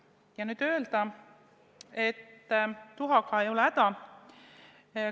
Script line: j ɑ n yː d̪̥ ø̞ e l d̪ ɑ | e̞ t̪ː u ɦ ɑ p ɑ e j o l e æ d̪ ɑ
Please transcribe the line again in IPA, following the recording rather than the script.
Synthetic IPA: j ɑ n yː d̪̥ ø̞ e l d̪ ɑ | e̞ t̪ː u ɦ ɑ k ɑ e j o l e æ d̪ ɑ